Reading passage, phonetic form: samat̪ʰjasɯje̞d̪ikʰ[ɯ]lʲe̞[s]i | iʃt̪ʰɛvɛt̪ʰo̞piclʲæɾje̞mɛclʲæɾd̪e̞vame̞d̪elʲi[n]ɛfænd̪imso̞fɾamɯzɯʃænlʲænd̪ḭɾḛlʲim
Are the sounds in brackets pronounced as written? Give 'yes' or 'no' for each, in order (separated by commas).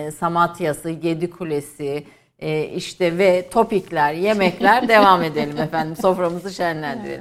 no, yes, no